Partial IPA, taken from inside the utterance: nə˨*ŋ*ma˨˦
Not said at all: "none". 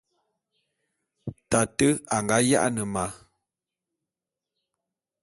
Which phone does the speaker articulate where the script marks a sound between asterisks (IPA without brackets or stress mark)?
none